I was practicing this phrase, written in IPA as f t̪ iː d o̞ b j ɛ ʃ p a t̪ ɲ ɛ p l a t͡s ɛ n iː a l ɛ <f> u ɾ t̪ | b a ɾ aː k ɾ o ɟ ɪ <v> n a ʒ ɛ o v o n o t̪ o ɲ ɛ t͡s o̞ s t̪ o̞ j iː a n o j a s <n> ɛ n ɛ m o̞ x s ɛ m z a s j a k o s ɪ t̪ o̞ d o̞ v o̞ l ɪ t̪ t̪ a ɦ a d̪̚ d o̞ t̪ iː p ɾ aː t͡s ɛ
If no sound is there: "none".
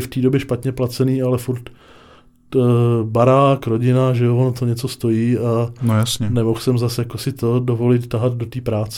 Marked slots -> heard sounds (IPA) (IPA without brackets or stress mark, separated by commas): f, none, ɲ